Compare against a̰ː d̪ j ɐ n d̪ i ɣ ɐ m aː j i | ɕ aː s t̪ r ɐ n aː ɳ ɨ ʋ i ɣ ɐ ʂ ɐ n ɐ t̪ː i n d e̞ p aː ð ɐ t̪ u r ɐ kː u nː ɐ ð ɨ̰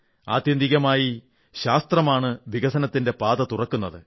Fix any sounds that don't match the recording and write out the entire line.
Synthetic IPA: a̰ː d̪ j ɐ n d̪ i ɣ ɐ m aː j i | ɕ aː s t̪ r ɐ m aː ɳ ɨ ʋ i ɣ ɐ s ɐ n ɐ t̪ː i n d e̞ p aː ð ɐ t̪ u r ɐ kː u nː ɐ ð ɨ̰